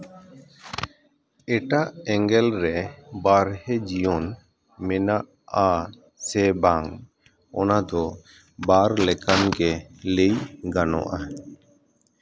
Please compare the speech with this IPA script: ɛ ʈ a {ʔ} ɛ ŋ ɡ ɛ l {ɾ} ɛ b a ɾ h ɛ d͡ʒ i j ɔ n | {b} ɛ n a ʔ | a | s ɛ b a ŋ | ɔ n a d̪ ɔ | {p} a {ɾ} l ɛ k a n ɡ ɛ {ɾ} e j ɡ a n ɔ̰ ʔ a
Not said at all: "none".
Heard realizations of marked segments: ʔ, ɾ, m, b, ɾ, l

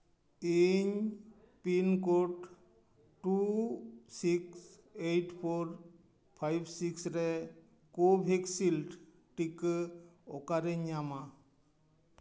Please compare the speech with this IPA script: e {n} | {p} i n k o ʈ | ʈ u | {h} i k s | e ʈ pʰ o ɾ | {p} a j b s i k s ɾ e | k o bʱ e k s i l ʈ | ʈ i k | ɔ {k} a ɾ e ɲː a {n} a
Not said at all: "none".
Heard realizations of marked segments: ɲ, p, s, pʰ, k, m

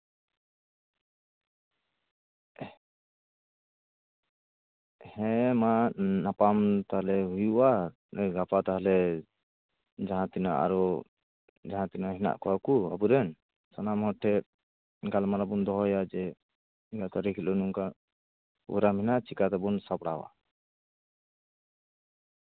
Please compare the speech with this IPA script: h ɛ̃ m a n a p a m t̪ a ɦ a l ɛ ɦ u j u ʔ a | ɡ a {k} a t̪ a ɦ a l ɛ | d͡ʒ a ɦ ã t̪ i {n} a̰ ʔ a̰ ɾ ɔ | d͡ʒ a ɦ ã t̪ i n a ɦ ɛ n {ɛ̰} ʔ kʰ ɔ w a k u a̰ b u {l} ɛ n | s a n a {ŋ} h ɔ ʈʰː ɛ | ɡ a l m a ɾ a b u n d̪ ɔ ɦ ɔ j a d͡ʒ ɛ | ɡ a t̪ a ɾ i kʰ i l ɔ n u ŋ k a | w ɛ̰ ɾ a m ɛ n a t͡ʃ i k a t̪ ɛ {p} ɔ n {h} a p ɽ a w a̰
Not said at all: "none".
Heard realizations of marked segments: p, n, a̰, ɾ, m, b, s

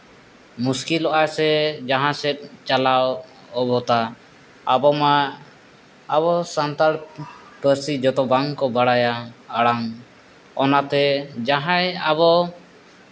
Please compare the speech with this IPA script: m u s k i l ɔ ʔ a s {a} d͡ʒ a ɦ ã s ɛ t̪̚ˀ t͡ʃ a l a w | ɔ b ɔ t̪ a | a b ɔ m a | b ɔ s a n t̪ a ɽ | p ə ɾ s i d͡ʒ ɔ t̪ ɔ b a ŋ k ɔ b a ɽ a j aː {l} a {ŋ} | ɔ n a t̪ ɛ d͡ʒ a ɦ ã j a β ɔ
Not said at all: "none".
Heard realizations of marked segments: ɛ, ɽ, ŋ

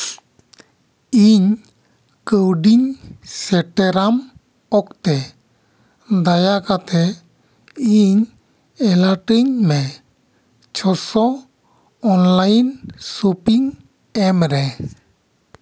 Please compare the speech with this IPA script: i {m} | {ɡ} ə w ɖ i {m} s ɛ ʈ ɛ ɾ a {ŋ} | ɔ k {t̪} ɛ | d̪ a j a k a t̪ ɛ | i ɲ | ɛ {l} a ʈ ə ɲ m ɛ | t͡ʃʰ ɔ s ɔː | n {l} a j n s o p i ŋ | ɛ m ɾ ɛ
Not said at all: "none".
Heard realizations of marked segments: ɲ, k, ɲ, m, t̪, l, l

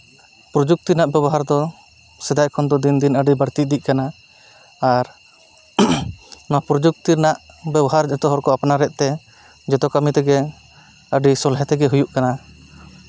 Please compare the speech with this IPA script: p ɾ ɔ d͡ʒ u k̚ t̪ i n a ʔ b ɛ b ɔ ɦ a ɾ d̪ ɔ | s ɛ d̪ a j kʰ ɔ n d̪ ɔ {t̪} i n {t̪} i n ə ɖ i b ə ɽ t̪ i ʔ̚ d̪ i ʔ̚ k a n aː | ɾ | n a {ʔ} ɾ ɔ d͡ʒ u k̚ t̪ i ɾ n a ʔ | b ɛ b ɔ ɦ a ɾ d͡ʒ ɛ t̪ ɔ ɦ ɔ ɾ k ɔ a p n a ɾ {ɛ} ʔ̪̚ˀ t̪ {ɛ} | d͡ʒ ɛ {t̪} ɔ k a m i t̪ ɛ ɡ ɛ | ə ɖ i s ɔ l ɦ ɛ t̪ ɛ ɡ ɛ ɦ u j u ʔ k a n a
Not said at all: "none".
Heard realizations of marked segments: d̪, d̪, p, ɛ, ɛ, t̪

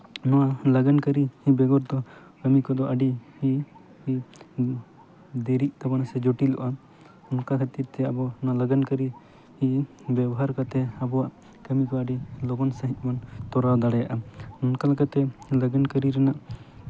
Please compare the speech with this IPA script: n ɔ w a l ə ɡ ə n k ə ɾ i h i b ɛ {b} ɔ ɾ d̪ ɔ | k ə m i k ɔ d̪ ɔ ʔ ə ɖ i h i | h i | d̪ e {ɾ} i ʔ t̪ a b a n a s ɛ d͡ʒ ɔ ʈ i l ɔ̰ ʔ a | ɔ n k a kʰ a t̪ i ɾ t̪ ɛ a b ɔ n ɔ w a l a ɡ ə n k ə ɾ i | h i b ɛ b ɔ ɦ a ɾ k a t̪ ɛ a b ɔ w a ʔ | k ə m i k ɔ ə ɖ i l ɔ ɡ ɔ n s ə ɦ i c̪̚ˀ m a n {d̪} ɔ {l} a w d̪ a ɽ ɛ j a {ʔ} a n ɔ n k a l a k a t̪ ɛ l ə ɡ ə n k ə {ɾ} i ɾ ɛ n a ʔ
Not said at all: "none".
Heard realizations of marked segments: ɡ, ɾ, t̪, ɾ, ʔ, ɾ

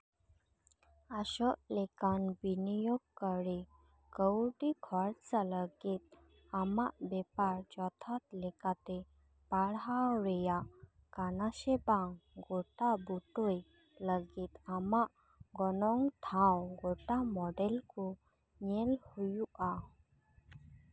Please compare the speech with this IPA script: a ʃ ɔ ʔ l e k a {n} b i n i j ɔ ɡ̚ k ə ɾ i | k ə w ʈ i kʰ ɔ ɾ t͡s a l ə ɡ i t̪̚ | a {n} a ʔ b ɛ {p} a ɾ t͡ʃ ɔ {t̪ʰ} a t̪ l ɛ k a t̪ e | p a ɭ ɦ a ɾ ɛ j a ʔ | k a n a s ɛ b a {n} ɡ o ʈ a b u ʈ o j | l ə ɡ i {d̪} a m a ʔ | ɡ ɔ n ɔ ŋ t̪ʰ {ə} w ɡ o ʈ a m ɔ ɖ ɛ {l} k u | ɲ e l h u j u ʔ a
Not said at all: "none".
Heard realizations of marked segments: n, m, p, t̪ʰ, ŋ, t̪, a, l

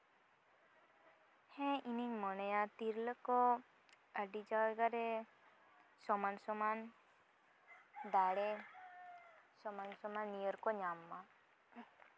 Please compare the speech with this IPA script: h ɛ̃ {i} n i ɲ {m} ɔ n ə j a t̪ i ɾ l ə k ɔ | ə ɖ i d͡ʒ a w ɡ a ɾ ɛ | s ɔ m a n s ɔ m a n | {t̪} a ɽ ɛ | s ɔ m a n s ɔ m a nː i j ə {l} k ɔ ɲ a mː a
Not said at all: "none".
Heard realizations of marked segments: i, m, d̪, ɾ

